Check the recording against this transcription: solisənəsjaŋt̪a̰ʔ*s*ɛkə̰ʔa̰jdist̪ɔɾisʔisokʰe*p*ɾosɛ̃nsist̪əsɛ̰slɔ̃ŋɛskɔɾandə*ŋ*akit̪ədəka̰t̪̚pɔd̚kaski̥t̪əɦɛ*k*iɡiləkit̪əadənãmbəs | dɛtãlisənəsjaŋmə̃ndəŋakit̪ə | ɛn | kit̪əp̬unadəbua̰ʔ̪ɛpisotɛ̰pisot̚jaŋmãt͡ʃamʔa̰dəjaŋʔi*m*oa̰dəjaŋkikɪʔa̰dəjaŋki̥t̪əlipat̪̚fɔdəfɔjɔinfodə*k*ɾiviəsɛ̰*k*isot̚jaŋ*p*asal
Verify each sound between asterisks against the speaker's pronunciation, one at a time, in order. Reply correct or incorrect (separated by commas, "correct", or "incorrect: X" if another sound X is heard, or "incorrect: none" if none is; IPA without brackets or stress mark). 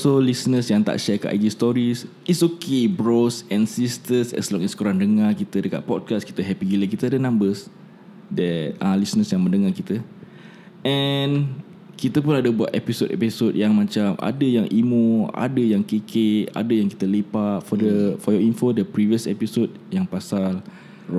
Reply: incorrect: ʃ, incorrect: b, correct, incorrect: p, correct, incorrect: p, incorrect: p, correct